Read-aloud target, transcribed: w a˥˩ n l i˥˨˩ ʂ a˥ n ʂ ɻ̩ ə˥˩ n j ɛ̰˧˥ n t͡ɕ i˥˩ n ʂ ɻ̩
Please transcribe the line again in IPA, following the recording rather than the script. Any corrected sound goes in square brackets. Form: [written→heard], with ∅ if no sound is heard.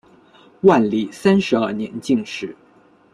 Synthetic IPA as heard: w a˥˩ n l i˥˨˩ [ʂ→s] a˥ n ʂ ɻ̩ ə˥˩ n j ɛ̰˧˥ n t͡ɕ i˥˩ [n→ŋ] ʂ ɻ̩